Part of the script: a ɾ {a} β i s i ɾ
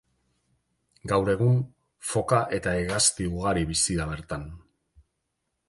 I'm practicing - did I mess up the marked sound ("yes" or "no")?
yes